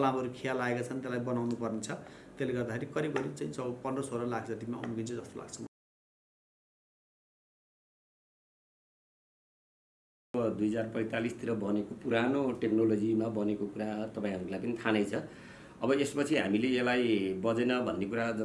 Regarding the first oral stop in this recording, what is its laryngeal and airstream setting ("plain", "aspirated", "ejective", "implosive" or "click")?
aspirated